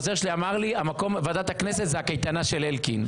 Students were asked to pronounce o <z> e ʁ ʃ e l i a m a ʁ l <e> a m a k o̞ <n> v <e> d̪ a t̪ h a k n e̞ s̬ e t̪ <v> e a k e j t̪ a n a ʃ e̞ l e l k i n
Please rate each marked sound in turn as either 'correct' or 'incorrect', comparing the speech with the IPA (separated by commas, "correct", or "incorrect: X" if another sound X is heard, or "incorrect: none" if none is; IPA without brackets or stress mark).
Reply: correct, incorrect: i, incorrect: m, incorrect: a, incorrect: z